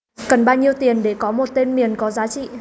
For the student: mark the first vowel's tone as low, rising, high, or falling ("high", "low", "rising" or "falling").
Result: low